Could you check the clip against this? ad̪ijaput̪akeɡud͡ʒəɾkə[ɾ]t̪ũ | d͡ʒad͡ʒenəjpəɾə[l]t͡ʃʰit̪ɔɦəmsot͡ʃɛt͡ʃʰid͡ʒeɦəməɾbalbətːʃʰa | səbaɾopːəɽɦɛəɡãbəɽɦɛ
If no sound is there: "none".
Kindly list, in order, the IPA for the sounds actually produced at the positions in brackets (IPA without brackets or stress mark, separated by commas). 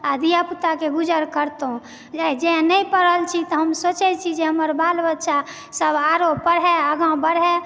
ɾ, l